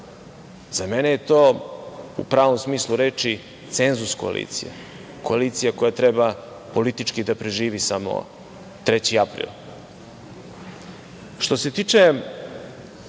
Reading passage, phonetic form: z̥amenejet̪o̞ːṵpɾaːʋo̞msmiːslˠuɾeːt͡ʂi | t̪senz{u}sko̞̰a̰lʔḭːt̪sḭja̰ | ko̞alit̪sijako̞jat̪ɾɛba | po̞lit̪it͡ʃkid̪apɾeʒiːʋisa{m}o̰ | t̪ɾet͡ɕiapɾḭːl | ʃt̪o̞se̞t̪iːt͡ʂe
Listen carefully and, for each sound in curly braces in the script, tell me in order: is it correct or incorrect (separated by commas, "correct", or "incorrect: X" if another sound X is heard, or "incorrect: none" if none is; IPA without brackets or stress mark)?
correct, correct